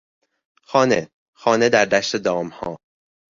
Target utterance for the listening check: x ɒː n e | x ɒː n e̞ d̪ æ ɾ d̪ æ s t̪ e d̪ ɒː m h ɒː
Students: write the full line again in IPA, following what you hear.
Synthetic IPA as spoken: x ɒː n e | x ɒː n e̞ d̪ æ ɾ d̪ æ ʃ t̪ e d̪ ɒː m h ɒː